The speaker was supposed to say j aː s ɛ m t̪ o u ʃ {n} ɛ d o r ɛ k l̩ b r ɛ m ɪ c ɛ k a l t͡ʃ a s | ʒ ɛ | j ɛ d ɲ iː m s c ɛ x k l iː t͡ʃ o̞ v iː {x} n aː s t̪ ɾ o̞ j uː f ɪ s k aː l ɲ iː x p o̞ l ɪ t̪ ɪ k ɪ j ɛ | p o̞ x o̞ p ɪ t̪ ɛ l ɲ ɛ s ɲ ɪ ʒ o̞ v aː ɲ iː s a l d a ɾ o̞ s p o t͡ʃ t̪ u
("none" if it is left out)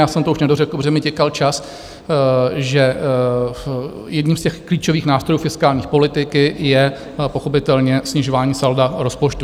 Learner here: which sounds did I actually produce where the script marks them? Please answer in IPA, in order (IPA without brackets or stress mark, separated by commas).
n, x